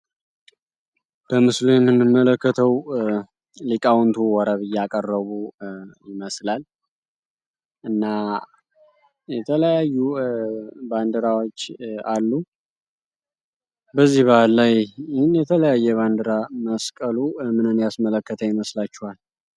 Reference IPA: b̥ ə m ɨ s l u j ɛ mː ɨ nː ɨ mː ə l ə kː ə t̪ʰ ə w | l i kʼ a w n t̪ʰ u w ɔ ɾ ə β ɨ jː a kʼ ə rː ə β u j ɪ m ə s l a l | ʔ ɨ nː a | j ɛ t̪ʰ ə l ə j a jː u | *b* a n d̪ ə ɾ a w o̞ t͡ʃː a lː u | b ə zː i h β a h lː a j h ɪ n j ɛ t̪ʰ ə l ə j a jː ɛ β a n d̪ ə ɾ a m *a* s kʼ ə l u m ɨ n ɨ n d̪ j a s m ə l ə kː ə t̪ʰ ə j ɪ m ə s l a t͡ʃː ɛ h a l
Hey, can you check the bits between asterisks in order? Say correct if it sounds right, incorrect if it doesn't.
correct, incorrect

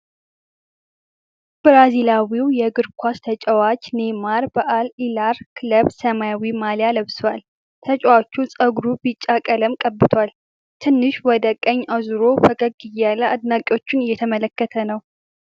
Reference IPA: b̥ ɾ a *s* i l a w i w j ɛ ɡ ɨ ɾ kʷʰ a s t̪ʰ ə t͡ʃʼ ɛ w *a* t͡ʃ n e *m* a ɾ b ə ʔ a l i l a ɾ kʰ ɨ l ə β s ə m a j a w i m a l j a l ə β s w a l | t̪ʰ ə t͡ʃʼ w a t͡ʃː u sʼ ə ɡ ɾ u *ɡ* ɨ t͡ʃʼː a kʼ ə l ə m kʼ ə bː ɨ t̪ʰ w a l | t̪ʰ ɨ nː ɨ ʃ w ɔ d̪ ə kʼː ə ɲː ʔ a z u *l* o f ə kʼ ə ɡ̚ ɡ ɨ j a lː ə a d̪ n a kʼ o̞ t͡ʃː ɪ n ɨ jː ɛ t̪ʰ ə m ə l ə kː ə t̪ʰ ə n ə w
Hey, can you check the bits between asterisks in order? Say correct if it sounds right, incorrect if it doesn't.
incorrect, correct, correct, incorrect, incorrect

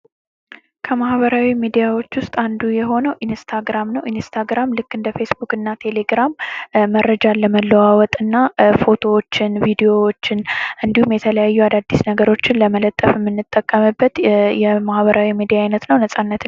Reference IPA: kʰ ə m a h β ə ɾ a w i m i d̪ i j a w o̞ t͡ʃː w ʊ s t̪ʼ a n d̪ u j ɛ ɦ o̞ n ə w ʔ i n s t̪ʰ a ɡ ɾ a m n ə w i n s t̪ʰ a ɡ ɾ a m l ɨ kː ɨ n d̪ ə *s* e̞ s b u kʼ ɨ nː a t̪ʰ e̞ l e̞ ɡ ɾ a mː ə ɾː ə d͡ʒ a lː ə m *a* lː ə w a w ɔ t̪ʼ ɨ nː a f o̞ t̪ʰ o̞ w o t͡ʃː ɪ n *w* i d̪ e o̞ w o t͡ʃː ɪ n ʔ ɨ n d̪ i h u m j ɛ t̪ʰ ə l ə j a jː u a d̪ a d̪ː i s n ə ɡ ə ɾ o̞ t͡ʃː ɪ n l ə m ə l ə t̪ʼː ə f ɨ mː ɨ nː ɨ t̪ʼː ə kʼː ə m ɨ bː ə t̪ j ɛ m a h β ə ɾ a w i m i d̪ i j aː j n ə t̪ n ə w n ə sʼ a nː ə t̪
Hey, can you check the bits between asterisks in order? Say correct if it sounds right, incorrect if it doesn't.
incorrect, incorrect, incorrect

